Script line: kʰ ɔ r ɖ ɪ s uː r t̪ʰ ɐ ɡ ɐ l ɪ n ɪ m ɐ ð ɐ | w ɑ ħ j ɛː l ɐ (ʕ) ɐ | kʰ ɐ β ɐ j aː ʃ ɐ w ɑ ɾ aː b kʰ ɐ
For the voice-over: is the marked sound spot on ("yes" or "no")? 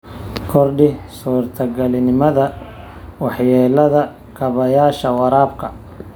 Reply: no